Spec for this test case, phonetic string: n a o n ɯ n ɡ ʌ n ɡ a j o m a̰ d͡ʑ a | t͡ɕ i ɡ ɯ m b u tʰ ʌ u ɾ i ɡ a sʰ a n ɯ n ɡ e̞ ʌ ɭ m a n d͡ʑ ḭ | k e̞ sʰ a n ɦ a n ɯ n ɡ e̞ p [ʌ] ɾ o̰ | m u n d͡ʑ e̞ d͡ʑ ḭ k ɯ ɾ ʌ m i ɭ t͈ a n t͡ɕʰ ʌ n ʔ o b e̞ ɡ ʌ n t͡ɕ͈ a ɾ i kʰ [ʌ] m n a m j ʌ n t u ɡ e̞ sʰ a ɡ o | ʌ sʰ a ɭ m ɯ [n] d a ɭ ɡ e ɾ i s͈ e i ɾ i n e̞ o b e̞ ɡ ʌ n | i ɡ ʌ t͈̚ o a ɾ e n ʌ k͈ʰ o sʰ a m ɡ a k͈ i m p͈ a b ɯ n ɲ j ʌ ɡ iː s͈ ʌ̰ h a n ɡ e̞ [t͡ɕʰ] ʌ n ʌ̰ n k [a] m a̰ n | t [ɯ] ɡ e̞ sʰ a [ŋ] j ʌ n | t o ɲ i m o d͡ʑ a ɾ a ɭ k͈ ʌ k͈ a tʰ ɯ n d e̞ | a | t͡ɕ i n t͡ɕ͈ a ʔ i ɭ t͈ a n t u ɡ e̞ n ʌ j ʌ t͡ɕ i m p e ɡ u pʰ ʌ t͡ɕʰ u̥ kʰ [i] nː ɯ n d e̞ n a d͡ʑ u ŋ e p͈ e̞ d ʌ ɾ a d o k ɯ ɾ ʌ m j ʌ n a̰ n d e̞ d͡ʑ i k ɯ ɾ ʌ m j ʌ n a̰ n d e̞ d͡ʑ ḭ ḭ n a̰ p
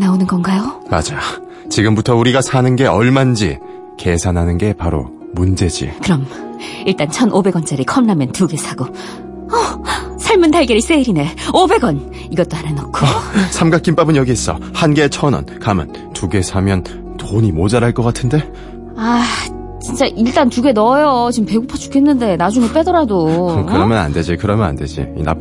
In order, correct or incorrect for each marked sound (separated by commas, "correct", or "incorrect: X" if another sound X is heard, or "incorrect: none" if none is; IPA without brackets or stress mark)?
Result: incorrect: a, correct, correct, correct, correct, incorrect: u, incorrect: m, incorrect: e